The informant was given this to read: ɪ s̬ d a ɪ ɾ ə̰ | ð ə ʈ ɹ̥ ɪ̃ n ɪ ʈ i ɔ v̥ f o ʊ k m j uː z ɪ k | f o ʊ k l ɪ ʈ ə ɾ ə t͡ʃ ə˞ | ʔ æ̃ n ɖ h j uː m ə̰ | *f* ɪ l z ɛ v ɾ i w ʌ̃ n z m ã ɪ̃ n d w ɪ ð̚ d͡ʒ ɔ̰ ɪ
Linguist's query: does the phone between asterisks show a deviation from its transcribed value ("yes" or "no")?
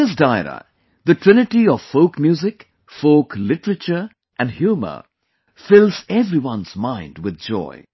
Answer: no